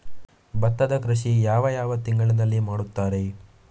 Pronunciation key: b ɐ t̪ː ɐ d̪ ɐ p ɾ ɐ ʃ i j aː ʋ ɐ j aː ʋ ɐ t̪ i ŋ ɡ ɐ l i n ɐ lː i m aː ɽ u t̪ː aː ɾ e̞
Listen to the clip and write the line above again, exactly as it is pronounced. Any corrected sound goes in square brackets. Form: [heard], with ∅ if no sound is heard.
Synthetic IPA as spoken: b ɐ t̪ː ɐ d̪ ɐ [k] ɾ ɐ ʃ i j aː ʋ ɐ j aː ʋ ɐ t̪ i ŋ ɡ ɐ [ɭ] i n ɐ lː i m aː ɽ u t̪ː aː ɾ e̞